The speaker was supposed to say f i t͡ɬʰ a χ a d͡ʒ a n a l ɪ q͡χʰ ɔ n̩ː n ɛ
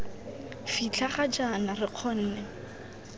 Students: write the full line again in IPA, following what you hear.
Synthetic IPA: f i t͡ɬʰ a χ a d͡ʒ a n a r ɪ q͡χʰ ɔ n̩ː n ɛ